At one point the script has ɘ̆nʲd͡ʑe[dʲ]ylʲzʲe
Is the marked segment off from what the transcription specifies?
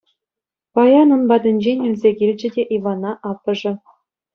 yes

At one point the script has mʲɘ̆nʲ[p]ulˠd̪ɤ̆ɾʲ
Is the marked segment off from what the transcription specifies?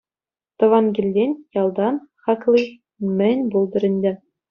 yes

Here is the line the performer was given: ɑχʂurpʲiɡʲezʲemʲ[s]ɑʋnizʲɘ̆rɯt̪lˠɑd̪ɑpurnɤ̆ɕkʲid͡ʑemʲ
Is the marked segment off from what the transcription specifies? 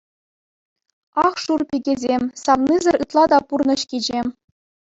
no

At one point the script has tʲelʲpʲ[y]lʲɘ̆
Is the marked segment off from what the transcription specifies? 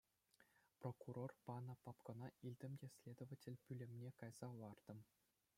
no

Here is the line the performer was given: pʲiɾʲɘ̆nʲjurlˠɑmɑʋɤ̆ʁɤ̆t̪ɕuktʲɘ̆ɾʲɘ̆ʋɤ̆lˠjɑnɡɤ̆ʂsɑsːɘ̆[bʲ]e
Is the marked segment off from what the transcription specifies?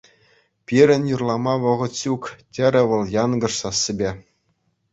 no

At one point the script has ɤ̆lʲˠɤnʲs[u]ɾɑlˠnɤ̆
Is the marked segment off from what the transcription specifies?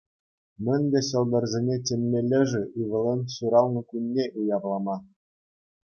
no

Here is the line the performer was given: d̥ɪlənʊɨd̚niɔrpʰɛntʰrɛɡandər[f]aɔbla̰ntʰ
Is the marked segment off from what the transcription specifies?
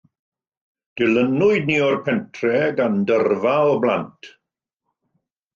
yes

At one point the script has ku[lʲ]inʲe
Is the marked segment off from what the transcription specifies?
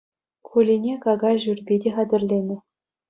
no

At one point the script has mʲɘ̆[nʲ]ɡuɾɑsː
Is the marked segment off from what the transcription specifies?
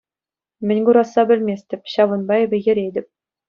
no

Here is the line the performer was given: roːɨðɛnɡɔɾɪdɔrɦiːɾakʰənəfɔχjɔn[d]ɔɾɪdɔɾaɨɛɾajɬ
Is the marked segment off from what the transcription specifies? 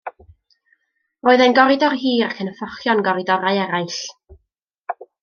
yes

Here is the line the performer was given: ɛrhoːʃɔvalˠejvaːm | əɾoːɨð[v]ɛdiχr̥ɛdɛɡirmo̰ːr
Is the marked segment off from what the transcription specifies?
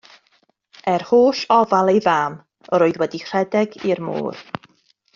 yes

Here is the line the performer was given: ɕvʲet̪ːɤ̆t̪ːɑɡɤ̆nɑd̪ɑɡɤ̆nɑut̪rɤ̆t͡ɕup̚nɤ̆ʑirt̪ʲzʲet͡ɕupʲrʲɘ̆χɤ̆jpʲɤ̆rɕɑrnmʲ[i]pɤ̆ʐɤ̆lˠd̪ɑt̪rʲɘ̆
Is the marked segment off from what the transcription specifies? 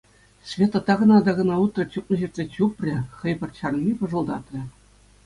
no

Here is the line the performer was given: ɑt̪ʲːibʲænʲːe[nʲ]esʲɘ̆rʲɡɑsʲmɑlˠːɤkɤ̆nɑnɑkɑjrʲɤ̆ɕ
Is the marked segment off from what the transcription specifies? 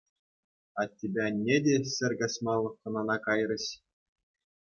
yes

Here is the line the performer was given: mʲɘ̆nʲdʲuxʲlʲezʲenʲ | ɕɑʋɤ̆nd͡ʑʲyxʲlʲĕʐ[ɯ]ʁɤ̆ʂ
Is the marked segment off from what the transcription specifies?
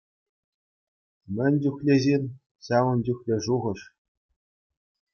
yes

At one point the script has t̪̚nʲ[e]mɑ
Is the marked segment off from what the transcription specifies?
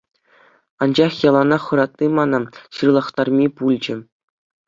yes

